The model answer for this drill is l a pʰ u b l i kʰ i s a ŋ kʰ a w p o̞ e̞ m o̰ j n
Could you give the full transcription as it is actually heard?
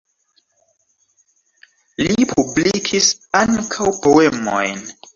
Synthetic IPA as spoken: l i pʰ u b l i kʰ i s a ŋ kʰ a w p o̞ e̞ m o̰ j n